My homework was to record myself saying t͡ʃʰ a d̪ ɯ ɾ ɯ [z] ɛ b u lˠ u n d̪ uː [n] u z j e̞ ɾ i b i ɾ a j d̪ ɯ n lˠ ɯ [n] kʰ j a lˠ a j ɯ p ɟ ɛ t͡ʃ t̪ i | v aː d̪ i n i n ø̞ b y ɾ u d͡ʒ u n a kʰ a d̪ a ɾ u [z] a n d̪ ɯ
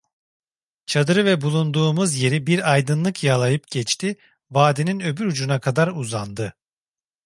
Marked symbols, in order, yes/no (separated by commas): no, no, no, yes